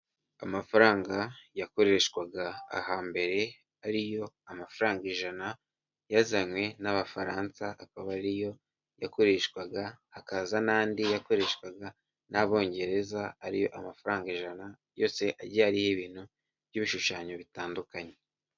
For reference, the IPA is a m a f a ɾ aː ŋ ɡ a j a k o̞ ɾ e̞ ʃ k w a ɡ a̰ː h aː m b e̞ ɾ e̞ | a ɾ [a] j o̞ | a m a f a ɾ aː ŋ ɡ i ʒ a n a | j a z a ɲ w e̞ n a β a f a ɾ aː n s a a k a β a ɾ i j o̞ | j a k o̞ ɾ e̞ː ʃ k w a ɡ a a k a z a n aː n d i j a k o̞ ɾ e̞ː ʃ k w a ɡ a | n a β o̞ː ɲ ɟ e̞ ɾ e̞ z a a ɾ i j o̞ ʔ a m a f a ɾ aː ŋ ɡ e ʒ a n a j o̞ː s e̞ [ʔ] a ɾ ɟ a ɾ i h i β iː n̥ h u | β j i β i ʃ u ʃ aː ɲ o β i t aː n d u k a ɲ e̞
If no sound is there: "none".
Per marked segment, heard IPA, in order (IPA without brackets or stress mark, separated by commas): i, ʔ